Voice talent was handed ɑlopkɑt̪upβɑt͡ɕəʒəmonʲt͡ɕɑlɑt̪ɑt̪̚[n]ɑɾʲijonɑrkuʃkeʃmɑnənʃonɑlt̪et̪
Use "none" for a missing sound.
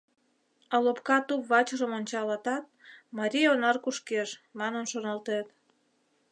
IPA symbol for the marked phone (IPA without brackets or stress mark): m